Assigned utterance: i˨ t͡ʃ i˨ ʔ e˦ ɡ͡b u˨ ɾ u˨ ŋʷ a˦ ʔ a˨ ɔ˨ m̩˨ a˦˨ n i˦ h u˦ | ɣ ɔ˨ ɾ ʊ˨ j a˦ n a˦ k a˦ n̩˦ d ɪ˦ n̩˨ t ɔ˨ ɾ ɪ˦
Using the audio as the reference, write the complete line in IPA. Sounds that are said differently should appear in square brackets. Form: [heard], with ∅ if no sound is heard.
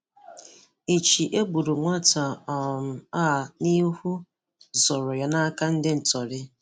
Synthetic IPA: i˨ t͡ʃ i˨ ʔ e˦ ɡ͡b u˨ ɾ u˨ ŋʷ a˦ [t] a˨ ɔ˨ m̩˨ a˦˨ n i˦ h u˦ | [z] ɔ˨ ɾ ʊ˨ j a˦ n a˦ k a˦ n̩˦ d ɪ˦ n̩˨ t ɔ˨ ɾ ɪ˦

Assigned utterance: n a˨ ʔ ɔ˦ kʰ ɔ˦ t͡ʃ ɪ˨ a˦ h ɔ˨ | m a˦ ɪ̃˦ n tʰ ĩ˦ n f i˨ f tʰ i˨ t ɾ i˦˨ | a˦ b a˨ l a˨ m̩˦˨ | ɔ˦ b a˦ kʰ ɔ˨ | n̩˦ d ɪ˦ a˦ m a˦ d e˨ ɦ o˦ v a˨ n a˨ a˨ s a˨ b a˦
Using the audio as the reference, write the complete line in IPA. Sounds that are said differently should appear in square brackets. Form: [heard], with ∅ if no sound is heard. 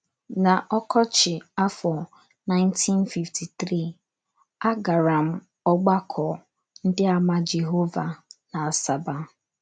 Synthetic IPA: n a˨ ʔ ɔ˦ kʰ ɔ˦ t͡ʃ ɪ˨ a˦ [f] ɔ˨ | [n] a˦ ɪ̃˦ n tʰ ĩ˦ n f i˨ f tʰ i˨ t ɾ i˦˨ | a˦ [ɡ] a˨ [ɾ] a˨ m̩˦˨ | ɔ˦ [ɡ͡b] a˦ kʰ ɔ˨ | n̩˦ d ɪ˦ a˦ m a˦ [d͡ʒ] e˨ ɦ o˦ v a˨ n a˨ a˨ s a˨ b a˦

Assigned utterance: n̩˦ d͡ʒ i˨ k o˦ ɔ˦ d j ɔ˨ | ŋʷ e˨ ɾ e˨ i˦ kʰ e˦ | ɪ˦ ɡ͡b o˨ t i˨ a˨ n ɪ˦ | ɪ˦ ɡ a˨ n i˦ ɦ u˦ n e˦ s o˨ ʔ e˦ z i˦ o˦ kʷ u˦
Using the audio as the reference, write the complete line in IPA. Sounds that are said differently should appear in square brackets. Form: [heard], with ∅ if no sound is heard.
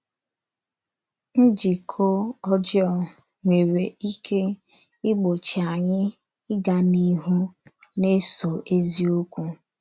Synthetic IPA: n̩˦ d͡ʒ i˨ [kʰ] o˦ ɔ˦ [d͡ʒ] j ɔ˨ | ŋʷ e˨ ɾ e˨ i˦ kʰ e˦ | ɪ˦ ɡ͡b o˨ [t͡ʃ] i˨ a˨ [ɲ] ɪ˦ | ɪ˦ ɡ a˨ n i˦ ɦ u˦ n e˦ s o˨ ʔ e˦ z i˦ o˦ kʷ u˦

